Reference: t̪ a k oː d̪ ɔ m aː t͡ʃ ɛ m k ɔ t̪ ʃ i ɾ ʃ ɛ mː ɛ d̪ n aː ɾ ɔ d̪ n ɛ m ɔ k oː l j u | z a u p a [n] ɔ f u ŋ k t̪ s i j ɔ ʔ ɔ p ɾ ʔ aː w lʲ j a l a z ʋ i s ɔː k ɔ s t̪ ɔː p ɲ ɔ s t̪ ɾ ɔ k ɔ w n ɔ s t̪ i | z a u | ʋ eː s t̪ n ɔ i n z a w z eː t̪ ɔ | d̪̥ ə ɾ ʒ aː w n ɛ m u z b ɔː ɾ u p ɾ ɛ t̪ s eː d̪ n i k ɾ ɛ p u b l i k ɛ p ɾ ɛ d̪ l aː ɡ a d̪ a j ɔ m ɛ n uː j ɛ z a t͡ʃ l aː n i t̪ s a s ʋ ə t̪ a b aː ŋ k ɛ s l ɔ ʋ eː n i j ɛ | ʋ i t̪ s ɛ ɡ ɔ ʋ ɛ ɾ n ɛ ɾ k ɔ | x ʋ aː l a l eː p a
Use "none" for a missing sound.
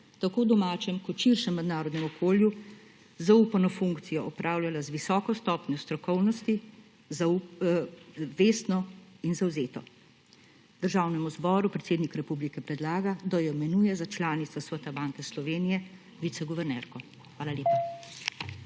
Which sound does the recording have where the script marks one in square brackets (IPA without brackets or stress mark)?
n